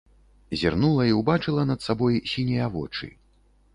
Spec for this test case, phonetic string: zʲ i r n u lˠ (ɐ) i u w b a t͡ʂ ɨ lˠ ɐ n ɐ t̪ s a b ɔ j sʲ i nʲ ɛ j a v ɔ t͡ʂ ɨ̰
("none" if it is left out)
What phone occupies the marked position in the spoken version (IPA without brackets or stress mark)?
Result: ɐ